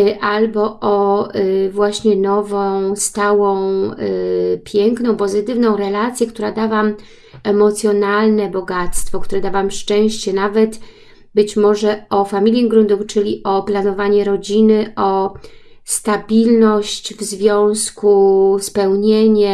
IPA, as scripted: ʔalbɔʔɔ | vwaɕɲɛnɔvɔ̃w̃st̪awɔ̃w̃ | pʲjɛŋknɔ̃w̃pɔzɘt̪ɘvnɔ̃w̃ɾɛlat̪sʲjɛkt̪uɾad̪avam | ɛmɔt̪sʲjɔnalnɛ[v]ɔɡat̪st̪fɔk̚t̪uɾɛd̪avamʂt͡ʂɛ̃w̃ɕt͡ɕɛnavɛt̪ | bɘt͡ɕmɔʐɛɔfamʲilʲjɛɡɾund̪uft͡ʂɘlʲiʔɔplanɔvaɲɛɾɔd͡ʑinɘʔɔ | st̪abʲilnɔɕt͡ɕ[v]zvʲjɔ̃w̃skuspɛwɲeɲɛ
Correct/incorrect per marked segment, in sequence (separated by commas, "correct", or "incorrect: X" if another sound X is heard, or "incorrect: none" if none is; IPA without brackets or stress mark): incorrect: b, correct